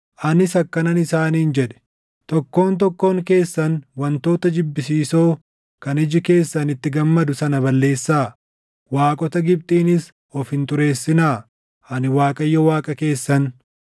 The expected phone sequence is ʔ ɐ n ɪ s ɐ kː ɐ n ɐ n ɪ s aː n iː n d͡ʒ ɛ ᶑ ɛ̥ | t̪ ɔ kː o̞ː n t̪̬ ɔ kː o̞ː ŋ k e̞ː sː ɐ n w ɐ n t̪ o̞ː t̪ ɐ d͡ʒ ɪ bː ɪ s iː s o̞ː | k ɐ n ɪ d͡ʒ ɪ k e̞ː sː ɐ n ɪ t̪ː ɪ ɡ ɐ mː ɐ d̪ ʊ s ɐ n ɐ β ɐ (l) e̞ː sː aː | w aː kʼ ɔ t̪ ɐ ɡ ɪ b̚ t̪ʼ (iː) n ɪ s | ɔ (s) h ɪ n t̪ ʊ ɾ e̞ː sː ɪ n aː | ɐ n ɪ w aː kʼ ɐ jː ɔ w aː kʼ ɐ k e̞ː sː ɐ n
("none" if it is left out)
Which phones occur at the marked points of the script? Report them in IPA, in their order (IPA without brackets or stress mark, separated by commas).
lː, iː, f